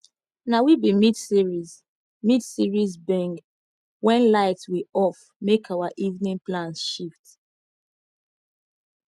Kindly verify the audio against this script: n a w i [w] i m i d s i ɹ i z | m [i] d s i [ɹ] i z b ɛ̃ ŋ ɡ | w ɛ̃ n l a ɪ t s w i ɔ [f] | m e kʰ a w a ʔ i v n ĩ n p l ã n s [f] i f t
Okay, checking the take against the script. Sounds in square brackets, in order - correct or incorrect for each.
incorrect: b, correct, correct, correct, incorrect: ʃ

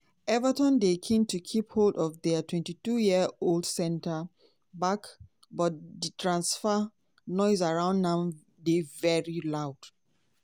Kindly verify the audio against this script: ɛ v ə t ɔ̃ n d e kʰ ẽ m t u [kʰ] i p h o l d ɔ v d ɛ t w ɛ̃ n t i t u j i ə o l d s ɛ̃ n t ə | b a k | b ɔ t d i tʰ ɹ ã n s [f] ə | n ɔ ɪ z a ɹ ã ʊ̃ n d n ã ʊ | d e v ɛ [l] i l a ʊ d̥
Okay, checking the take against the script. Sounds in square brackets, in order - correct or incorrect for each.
correct, correct, incorrect: ɹ

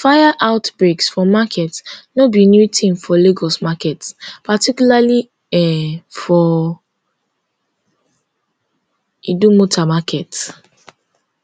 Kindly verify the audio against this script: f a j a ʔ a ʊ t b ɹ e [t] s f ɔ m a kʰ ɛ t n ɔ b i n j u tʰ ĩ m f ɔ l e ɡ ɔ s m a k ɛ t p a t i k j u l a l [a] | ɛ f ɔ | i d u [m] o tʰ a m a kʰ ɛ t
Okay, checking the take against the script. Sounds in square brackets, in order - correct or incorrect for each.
incorrect: k, incorrect: i, correct

